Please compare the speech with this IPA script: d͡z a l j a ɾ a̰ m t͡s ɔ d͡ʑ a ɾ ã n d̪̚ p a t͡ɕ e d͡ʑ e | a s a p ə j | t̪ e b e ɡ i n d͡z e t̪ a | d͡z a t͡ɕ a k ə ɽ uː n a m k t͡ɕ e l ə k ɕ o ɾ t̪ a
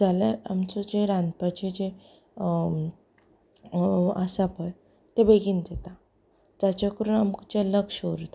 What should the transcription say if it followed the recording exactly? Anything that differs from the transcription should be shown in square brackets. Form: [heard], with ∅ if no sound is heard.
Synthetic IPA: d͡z a l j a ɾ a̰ m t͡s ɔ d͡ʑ [e] ɾ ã n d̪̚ p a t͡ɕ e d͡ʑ e | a s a p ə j | t̪ e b e ɡ i n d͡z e t̪ a | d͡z a t͡ɕ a k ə [ɾ] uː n a m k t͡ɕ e l ə k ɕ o ɾ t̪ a